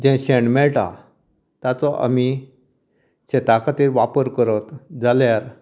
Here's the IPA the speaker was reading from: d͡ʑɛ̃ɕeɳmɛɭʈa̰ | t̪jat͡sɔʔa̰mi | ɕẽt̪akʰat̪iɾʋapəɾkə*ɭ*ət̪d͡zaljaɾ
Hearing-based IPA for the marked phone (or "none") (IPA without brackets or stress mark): ɾ